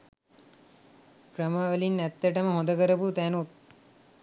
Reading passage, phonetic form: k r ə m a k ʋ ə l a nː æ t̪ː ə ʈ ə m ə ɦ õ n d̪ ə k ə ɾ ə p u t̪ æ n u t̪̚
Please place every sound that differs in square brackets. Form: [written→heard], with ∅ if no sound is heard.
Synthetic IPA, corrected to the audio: k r ə m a [k→∅] ʋ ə l [a→i] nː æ t̪ː ə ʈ ə m ə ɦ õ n d̪ ə k ə ɾ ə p u t̪ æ n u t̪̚